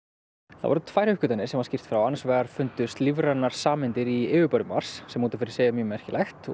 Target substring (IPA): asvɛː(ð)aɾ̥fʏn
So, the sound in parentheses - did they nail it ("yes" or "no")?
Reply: no